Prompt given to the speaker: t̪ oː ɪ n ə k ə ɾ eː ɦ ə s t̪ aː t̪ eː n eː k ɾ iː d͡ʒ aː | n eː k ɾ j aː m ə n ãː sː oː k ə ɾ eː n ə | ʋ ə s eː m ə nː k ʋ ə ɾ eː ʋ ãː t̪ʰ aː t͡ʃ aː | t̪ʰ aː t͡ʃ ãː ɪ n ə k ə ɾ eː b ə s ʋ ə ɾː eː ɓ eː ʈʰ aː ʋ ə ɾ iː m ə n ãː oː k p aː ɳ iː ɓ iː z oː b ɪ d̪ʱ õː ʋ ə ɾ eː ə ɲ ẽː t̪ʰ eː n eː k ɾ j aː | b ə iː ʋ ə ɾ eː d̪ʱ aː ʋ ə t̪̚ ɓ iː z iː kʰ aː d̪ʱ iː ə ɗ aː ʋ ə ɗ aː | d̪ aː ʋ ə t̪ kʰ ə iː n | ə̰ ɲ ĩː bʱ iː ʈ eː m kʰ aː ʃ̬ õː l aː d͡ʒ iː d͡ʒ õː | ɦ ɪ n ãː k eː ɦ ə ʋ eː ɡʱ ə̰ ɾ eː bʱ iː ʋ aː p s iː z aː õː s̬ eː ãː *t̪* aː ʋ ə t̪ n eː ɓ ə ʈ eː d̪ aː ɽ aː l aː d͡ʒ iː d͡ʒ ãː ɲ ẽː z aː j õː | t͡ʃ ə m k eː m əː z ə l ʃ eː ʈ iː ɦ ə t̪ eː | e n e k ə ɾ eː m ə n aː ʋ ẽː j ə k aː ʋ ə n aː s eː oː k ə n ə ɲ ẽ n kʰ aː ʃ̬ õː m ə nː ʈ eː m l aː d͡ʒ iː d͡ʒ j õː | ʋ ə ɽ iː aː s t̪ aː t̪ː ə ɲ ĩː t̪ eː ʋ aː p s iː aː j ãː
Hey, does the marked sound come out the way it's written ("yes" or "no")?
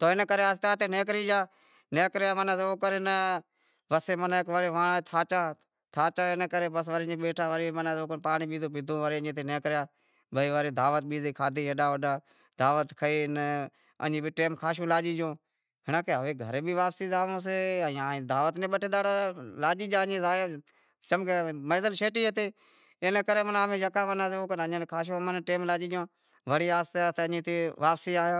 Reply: no